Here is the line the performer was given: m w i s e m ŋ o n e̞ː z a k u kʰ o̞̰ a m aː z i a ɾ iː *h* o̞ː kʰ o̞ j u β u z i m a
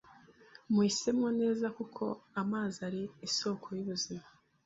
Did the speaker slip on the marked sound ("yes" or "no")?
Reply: yes